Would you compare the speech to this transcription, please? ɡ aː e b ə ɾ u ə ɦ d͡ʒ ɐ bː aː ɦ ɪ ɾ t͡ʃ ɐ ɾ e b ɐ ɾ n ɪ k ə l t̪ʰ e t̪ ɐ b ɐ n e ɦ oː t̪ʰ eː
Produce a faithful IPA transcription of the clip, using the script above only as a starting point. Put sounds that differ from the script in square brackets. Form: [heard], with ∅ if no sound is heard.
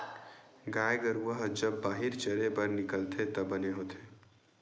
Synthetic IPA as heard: ɡ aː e [ɡ] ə ɾ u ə ɦ d͡ʒ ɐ bː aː ɦ ɪ ɾ t͡ʃ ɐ ɾ e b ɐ ɾ n ɪ k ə l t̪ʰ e t̪ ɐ b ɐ n e ɦ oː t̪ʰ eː